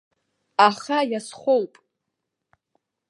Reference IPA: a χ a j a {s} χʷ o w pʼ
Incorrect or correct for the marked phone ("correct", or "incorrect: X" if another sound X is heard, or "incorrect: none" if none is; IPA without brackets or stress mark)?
correct